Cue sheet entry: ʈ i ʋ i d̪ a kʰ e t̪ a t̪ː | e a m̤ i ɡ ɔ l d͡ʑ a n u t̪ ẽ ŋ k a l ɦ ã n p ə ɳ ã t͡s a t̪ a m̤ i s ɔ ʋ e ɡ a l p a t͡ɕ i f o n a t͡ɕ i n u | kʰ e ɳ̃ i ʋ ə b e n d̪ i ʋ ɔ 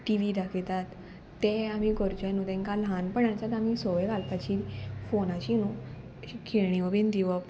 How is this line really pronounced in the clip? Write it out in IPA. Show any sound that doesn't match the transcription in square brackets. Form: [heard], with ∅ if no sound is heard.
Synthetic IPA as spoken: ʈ i ʋ i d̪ a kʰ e t̪ a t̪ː | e a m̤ i ɡ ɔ [ɾ] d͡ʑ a n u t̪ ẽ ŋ k a l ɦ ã n p ə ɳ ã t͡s a t̪ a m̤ i s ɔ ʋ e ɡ a l p a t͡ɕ i f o n a t͡ɕ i n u | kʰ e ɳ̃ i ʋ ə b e n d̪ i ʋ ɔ